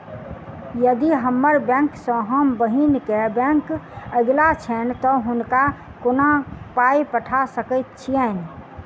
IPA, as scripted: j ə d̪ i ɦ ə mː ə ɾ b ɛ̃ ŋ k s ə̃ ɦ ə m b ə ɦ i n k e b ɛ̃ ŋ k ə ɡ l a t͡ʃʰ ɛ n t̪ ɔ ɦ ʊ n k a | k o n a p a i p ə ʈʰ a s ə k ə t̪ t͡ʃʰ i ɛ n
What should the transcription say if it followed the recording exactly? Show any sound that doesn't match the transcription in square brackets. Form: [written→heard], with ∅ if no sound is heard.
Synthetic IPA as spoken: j ə d̪ i ɦ ə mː ə ɾ b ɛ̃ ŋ k s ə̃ ɦ ə m b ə ɦ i n k e b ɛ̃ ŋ k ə ɡ l a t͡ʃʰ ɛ n t̪ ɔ ɦ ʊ n k a | k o n a p a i p ə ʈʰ a s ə k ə t̪ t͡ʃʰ i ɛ n